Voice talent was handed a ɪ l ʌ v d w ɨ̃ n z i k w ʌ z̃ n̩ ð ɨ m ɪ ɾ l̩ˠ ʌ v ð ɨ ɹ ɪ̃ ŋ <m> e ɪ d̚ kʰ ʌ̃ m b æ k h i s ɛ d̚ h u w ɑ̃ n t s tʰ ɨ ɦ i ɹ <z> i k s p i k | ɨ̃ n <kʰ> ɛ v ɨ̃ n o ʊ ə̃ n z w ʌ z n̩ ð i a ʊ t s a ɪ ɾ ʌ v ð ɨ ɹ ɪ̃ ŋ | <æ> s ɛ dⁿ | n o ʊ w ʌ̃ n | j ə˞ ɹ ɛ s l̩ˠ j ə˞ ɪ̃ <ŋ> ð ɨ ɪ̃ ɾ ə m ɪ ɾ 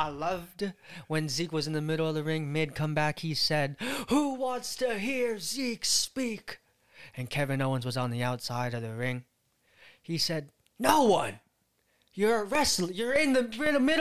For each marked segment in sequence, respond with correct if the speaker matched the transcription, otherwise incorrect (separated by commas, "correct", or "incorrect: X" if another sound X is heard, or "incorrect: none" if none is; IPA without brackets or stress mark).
correct, correct, correct, incorrect: i, incorrect: n